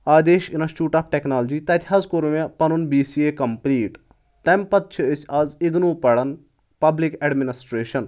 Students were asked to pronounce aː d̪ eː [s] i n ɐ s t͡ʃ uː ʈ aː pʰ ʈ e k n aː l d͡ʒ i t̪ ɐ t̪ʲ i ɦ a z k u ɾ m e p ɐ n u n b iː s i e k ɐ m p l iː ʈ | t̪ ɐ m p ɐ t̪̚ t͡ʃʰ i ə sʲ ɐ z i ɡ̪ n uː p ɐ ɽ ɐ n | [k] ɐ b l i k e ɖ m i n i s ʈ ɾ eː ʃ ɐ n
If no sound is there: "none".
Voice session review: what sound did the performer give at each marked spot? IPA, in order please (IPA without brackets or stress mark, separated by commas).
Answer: ʃ, p